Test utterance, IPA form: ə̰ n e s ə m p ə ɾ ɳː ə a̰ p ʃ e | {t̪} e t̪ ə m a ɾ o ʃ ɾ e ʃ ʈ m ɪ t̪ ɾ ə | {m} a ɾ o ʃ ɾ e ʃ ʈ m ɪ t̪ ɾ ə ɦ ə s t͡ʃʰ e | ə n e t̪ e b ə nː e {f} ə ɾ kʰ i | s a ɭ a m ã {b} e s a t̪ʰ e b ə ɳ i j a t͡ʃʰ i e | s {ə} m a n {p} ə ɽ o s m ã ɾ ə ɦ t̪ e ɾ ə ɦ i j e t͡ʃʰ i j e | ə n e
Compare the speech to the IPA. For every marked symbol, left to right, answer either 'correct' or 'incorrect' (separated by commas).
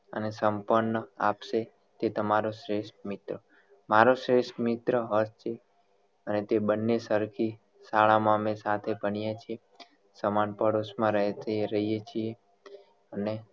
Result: correct, correct, incorrect, incorrect, correct, correct